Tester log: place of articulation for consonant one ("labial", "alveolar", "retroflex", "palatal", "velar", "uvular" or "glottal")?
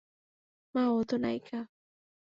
labial